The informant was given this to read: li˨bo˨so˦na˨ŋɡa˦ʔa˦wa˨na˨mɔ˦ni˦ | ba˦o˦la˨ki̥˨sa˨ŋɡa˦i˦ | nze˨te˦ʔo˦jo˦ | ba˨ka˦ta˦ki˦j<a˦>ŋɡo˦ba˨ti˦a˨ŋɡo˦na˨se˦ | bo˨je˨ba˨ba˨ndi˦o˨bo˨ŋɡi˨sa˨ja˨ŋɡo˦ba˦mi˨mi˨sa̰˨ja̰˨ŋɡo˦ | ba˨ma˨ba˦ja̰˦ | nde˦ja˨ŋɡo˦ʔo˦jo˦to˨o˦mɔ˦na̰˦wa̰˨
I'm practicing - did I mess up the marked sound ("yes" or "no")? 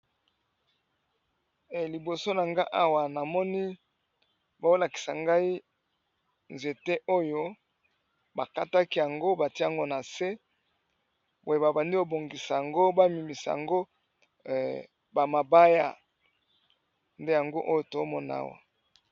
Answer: yes